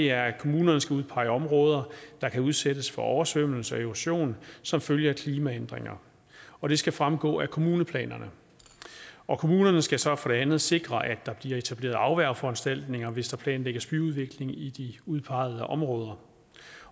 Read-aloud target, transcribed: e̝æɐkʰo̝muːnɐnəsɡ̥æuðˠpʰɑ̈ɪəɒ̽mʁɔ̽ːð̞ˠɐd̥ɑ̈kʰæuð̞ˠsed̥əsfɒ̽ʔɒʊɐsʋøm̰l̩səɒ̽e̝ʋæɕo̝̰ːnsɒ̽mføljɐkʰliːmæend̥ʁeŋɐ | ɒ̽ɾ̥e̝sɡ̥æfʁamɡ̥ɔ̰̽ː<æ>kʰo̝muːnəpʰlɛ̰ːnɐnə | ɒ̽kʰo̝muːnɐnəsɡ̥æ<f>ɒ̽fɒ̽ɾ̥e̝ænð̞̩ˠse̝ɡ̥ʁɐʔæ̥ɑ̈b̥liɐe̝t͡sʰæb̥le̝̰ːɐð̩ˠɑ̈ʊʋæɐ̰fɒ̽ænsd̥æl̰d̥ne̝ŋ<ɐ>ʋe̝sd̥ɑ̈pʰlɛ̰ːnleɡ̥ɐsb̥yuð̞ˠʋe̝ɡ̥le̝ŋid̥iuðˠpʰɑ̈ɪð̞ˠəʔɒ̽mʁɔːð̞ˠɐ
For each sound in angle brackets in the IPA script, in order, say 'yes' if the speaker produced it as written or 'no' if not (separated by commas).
yes, no, yes